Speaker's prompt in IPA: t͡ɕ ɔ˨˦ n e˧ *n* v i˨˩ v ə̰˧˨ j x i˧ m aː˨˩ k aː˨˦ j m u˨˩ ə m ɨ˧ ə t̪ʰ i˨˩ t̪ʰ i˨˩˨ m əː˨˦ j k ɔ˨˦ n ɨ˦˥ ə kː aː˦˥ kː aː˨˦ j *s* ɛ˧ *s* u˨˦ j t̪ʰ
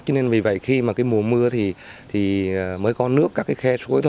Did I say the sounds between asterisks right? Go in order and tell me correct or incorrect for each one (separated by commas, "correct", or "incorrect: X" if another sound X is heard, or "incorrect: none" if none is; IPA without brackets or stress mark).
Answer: correct, incorrect: x, correct